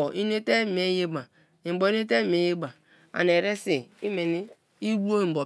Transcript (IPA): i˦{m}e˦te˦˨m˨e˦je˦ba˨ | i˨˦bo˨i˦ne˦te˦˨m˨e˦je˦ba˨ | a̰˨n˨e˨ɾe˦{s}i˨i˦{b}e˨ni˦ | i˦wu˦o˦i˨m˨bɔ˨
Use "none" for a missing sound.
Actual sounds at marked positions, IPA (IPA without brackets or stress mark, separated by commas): n, s, m